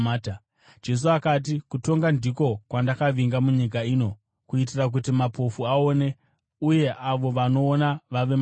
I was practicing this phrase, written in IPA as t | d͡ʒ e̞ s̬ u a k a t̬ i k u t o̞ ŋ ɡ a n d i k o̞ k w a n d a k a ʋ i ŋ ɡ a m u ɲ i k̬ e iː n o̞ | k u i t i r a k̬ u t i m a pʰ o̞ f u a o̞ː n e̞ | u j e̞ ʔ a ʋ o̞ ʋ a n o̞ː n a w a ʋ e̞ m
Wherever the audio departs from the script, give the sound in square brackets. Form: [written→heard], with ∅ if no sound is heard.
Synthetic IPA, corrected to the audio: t | d͡ʒ e̞ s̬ u a k a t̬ i k u t o̞ ŋ ɡ a n d i k o̞ k w a n d a k a ʋ i ŋ ɡ a m u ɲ i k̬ [e→a] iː n o̞ | k u i t i r a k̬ u t i m a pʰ o̞ f u a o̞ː n e̞ | u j e̞ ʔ a ʋ o̞ ʋ a n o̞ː n a [w→ʋ] a ʋ e̞ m